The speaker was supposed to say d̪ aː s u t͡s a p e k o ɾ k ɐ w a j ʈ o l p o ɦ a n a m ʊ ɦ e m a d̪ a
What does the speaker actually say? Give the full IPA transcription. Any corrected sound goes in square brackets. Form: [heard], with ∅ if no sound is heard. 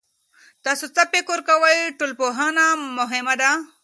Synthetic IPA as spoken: [t̪] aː s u t͡s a p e k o ɾ k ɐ w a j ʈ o l p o ɦ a n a m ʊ ɦ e m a d̪ a